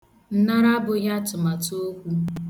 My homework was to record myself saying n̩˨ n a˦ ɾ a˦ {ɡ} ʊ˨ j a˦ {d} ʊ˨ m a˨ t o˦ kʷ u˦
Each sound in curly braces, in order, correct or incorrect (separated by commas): incorrect, incorrect